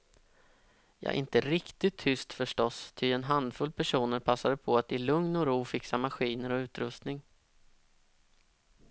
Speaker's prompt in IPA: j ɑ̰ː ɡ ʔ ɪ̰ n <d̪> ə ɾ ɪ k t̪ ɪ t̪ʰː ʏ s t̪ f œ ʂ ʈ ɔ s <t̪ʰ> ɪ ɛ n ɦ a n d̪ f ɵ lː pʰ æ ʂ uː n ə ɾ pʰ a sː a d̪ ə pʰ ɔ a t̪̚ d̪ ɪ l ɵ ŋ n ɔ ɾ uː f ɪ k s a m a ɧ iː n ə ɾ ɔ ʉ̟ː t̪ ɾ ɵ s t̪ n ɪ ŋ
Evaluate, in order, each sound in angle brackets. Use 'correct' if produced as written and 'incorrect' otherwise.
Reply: incorrect, correct

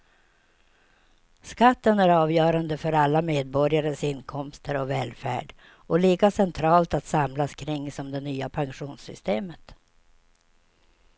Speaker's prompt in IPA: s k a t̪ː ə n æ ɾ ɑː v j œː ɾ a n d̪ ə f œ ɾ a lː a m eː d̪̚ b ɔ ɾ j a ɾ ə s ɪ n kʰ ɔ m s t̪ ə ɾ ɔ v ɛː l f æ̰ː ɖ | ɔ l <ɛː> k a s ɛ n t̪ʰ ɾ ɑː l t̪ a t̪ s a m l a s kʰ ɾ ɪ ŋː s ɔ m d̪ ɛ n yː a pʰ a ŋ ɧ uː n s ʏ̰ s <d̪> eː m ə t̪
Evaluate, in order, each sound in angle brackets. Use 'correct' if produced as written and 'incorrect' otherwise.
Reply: incorrect, incorrect

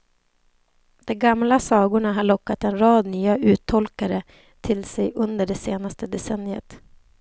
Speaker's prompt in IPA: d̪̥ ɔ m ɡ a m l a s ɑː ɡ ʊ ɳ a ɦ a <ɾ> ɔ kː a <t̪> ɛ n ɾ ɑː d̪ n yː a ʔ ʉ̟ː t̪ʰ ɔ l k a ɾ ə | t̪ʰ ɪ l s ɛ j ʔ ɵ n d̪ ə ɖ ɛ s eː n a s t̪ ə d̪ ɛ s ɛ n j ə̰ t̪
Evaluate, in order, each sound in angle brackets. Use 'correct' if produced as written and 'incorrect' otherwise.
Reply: incorrect, correct

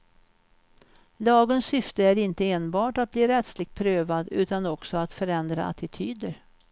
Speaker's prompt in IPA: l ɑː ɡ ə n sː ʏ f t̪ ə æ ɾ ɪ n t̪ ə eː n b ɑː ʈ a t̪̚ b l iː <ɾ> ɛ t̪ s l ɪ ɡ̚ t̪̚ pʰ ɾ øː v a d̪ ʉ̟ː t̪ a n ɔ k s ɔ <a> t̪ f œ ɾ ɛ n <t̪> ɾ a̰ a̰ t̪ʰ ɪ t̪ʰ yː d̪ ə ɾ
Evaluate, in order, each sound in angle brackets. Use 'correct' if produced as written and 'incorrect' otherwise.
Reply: correct, correct, incorrect

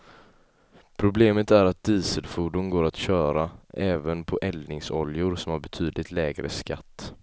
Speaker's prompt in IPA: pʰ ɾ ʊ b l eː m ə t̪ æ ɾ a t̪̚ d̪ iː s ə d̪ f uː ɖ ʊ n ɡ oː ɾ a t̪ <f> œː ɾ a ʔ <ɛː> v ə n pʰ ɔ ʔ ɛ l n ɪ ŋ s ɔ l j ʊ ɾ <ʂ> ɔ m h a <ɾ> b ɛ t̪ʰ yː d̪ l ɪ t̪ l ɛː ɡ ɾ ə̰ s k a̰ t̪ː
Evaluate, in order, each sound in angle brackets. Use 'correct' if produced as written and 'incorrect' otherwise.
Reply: incorrect, correct, incorrect, correct

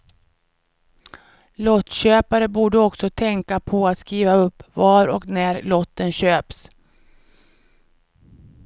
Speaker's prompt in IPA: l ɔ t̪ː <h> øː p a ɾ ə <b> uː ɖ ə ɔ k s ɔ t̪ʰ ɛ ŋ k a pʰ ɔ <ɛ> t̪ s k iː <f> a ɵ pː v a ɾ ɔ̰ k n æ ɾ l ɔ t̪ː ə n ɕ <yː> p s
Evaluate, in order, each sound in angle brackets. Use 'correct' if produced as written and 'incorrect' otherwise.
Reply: incorrect, correct, incorrect, incorrect, incorrect

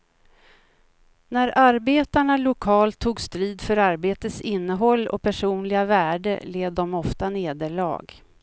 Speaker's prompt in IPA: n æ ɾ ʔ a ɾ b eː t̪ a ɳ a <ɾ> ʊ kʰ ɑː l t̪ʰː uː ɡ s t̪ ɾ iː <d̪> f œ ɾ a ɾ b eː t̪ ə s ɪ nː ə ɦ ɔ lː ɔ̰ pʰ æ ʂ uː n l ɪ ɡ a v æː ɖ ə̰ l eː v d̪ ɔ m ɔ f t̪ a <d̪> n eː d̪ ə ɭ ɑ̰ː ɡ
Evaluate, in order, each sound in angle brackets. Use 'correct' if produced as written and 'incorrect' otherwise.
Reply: incorrect, correct, incorrect

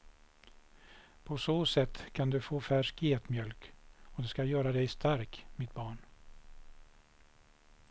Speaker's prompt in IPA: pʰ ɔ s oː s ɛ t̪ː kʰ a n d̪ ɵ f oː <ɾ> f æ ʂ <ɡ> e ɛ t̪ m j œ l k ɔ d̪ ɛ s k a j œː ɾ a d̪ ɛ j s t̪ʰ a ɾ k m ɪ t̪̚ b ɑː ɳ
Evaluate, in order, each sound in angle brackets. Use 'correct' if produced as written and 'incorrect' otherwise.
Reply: incorrect, incorrect

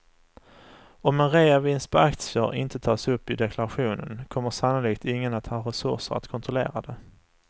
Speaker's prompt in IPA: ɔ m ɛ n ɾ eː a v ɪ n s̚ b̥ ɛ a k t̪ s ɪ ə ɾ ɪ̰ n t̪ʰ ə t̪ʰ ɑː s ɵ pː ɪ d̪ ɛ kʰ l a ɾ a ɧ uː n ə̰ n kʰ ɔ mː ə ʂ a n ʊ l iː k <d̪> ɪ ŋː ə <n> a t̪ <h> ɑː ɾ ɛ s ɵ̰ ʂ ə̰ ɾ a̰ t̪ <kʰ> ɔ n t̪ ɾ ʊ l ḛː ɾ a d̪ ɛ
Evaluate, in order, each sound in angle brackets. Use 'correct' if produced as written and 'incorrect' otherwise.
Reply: incorrect, correct, correct, correct

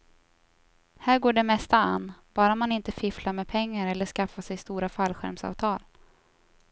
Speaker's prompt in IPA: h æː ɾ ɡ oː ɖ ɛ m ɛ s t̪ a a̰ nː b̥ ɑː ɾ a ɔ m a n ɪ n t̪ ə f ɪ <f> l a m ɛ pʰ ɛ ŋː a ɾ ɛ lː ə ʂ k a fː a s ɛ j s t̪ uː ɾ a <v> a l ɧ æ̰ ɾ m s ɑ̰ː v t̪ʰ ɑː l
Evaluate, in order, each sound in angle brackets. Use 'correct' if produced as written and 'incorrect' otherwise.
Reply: correct, incorrect

